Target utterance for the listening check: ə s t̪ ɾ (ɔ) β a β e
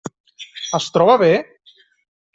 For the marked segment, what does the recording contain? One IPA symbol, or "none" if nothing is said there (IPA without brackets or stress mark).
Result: ɔ